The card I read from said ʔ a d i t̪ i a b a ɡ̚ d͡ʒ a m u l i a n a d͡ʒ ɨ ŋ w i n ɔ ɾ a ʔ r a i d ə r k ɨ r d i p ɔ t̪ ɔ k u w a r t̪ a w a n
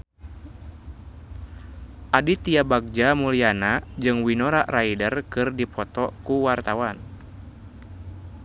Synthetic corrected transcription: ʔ a d i t̪ i a b a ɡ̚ d͡ʒ a m u l i a n a d͡ʒ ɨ ŋ w i n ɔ ɾ a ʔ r a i d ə r k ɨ r d i p ɔ t̪ ɔ k u w a r t̪ a w a n